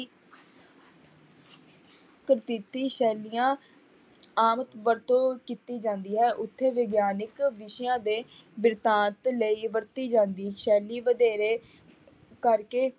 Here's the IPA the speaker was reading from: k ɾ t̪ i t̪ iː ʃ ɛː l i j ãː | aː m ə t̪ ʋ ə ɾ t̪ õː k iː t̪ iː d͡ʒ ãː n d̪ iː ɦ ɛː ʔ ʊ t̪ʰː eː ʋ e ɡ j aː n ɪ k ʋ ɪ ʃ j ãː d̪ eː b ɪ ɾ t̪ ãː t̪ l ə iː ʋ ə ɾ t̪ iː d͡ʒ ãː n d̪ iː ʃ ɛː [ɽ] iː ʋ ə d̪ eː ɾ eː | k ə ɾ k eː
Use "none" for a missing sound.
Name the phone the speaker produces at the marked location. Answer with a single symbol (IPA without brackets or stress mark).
l